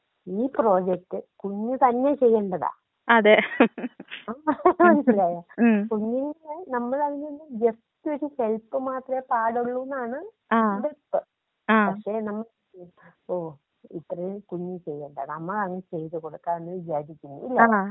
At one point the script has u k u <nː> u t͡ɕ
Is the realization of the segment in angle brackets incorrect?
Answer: yes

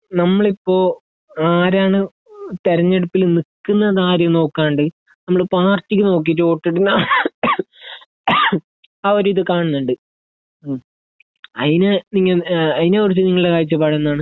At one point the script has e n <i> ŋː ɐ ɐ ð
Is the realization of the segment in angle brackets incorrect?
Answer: no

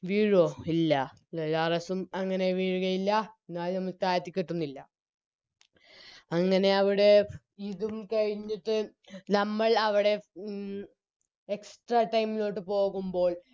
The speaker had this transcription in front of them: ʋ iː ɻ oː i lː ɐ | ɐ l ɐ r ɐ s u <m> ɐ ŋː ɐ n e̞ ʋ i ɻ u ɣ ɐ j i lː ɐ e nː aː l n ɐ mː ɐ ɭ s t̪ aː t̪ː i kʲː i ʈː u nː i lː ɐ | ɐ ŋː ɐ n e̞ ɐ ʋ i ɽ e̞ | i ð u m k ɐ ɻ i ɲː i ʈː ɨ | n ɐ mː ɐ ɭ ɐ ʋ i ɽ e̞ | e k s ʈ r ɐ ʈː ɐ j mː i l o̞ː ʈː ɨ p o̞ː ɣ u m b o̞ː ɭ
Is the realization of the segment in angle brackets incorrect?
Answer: no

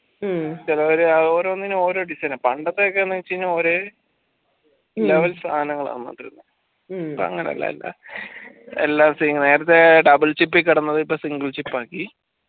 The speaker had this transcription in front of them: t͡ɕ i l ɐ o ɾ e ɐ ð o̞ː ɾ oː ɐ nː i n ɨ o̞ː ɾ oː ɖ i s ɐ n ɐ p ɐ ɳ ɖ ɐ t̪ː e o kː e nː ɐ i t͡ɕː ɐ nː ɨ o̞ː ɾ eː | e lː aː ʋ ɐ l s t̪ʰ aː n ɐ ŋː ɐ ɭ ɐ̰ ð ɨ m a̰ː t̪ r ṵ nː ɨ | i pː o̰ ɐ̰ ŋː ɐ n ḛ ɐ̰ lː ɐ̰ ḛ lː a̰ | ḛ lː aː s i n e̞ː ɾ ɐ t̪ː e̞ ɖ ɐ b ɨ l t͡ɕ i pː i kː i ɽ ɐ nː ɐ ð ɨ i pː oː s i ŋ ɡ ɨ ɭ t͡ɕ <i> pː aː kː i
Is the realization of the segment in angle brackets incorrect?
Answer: no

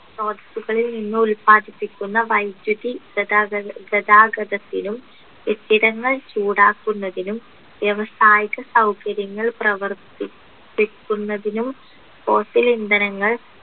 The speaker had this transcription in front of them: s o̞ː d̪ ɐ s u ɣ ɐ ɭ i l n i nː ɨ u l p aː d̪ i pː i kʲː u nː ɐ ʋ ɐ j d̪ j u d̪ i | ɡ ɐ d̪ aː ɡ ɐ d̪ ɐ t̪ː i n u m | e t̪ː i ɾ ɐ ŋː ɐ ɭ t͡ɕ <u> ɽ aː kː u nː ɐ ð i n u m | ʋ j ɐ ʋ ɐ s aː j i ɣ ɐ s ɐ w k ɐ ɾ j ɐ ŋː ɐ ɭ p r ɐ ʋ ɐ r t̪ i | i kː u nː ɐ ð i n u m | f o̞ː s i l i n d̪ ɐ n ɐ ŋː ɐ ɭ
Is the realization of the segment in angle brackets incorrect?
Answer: yes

